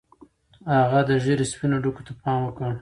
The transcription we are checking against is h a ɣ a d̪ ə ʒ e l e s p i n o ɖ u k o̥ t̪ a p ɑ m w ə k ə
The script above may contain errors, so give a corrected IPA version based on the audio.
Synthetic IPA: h a ɣ a d̪ ə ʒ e ɾ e s p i n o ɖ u k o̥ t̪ a p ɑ m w ə k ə